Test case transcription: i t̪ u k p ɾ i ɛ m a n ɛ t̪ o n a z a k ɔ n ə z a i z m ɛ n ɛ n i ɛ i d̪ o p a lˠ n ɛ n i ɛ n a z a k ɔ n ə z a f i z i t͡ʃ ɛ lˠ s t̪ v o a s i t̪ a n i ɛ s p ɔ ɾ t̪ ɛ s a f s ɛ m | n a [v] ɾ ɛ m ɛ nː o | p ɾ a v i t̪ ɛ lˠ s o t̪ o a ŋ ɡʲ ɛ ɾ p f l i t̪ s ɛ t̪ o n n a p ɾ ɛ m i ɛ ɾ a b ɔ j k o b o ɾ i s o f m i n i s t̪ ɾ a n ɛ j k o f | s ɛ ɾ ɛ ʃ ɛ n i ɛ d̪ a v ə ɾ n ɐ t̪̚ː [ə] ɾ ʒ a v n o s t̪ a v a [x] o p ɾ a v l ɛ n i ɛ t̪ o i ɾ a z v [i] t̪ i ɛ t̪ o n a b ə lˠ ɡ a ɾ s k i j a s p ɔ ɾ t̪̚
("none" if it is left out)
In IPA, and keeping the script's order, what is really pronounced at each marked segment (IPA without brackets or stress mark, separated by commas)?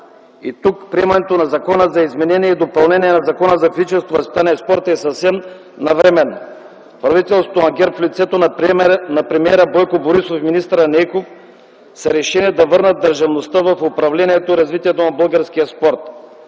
v, ə, f, i